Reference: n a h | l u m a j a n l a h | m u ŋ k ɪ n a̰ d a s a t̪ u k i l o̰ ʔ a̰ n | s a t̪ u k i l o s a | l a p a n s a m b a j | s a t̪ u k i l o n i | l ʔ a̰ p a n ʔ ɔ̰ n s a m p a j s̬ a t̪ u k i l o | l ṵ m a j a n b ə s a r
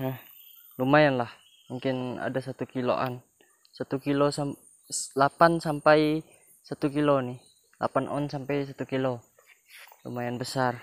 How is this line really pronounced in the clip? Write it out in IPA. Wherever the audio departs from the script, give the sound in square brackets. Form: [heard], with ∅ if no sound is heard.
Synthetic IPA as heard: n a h | l u m a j a n l a h | m u ŋ k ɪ n a̰ d a s a t̪ u k i l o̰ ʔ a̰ n | s a t̪ u k i l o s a | l a p a n s a m [p] a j | s a t̪ u k i l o n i | l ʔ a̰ p a n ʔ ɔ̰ n s a m p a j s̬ a t̪ u k i l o | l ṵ m a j a n b ə s a r

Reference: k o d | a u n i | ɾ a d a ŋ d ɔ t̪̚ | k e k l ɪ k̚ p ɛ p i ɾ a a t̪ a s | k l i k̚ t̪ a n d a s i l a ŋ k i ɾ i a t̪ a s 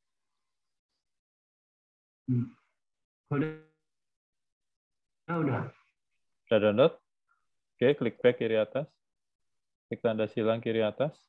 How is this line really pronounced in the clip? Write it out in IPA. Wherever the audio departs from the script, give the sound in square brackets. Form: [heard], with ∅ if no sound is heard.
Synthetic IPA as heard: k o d | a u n [a] | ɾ a d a [n] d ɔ t̪̚ | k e k l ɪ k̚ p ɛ [k] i ɾ [i] a t̪ a s | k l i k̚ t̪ a n d a s i l a ŋ k i ɾ i a t̪ a s

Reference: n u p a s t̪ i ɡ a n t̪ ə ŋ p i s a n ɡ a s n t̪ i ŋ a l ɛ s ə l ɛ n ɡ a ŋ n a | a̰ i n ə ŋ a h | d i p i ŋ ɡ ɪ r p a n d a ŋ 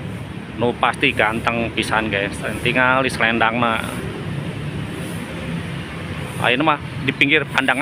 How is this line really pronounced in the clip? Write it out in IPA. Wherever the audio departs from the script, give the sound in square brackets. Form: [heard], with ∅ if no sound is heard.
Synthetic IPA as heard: n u p a s t̪ i ɡ a n t̪ ə ŋ p i s a n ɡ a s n t̪ i ŋ a l [i] s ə l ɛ n [d] a ŋ n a | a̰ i n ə [m] a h | d i p i ŋ ɡ ɪ r p a n d a ŋ

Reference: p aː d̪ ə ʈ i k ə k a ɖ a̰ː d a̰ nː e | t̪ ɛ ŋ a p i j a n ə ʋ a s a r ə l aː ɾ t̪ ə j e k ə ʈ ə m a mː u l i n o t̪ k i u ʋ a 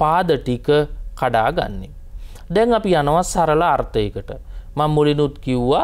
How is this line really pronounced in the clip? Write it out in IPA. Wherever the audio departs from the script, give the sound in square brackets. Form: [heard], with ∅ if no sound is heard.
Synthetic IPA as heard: p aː d̪ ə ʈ i k ə k a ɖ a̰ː [ɡ] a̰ nː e | [d̪] ɛ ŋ a p i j a n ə ʋ a s a [ɾ] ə l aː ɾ t̪ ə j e k ə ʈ ə m a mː u l i n [u] t̪ k i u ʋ a

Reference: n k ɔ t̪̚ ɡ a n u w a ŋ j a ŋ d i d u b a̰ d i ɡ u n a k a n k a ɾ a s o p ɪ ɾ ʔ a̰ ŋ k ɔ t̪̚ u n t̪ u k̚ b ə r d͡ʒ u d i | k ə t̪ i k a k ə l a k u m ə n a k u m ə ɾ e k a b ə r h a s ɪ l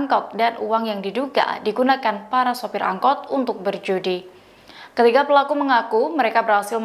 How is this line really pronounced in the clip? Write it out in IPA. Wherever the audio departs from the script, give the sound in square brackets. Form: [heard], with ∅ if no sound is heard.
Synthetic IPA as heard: [ŋ] k ɔ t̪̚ [d] a n u w a ŋ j a ŋ d i d u [ɡ] a̰ d i ɡ u n a k a n [p] a ɾ a s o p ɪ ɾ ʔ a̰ ŋ k ɔ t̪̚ u n t̪ [ʊ] k̚ b ə r d͡ʒ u d i | k ə t̪ i k a [p] ə l a k u m ə [ŋ] a k u m ə ɾ e k a b ə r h a s ɪ l

